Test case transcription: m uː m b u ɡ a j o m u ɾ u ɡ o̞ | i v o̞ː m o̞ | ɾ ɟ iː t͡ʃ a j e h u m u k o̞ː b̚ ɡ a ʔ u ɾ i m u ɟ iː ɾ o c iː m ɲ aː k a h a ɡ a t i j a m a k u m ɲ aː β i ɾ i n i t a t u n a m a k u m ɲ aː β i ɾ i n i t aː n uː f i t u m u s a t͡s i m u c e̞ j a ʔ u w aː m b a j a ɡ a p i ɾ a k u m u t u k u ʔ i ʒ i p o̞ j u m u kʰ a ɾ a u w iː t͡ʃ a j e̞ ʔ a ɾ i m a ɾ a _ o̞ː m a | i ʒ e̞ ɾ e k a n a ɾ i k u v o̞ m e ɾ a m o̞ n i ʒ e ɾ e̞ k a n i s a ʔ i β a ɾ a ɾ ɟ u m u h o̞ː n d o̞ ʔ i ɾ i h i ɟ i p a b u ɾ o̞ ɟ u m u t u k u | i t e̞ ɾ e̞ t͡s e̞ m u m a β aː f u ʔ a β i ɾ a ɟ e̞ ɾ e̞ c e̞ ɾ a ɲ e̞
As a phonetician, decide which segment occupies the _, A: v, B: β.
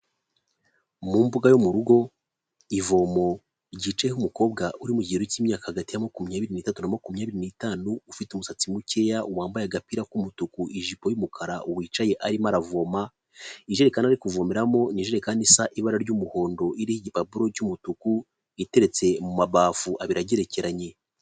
A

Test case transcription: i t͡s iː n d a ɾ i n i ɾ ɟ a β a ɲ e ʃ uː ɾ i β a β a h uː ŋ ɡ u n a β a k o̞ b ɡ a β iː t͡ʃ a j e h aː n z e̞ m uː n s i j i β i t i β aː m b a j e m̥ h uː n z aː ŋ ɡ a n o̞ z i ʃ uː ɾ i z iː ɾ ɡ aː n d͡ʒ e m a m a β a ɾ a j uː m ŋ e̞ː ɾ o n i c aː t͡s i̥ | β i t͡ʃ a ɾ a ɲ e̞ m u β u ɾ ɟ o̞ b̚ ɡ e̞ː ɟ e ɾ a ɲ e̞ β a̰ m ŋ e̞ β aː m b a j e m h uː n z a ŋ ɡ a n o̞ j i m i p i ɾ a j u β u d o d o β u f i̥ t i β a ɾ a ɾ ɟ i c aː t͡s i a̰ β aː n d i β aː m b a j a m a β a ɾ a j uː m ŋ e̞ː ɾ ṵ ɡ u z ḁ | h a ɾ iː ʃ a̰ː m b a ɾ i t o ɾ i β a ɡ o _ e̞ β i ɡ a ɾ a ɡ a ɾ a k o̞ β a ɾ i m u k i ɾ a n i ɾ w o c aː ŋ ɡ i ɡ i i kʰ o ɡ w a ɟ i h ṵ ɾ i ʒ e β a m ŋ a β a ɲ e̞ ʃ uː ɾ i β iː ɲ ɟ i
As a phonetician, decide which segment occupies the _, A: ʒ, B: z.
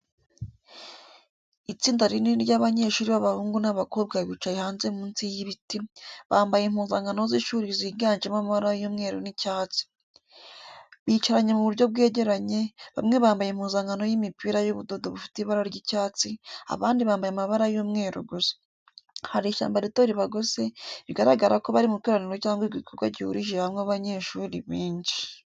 B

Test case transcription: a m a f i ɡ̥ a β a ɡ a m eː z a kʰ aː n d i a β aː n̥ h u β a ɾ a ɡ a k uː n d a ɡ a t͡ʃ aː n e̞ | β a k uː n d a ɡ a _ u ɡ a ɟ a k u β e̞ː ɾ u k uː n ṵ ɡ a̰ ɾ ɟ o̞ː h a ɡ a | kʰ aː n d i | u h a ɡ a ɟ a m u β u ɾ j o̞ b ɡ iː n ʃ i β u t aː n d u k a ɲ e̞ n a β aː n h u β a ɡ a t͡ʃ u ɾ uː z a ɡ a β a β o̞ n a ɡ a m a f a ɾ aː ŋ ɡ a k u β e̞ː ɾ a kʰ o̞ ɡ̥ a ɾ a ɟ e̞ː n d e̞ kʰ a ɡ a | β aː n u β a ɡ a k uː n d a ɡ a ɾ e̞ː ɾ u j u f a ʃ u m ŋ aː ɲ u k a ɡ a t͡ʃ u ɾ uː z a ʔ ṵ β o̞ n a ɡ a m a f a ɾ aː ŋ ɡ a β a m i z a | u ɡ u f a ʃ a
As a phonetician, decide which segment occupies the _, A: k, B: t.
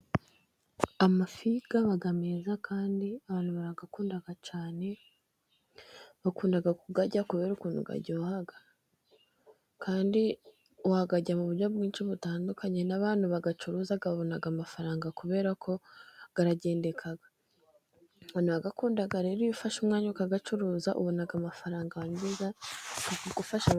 A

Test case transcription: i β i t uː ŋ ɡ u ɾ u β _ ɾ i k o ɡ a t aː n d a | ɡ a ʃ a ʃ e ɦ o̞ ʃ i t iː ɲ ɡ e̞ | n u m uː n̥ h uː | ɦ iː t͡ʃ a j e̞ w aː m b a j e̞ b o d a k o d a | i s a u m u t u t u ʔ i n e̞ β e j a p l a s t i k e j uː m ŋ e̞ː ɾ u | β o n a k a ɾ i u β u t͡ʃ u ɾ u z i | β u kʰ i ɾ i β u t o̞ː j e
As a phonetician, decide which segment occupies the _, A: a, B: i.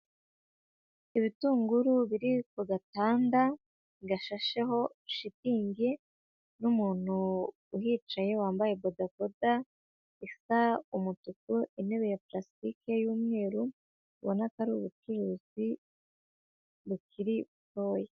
B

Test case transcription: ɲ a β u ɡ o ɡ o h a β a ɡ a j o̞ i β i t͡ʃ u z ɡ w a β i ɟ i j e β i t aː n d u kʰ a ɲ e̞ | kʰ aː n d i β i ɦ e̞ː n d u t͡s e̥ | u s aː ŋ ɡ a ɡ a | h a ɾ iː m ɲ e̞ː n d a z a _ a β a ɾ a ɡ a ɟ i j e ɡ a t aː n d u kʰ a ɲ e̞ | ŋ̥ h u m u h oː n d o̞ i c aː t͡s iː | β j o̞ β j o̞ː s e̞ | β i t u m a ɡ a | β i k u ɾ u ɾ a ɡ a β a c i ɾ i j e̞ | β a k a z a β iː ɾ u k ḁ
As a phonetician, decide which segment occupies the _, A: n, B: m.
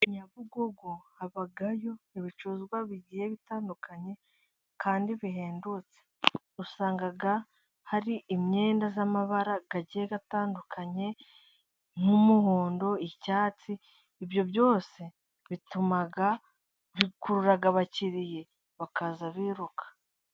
B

